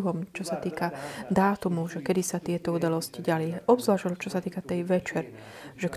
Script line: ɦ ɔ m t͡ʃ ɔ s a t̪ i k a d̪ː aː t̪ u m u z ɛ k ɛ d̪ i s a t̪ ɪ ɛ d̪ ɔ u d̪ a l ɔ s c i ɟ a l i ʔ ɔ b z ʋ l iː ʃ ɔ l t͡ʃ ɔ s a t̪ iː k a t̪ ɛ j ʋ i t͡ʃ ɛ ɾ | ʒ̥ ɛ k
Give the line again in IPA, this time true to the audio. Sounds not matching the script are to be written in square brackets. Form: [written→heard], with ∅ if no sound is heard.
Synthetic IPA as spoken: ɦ ɔ m t͡ʃ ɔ s a t̪ [i→iː] k a [d̪ː→d̪] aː t̪ u m u [z→ʒ] ɛ k ɛ d̪ i s a t̪ ɪ ɛ [d̪→t̪] ɔ u d̪ a l ɔ s c i ɟ a l i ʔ ɔ b z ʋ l [iː→aː] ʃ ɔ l t͡ʃ ɔ s a t̪ iː k a t̪ ɛ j ʋ [i→ɛ] t͡ʃ ɛ ɾ | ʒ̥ ɛ k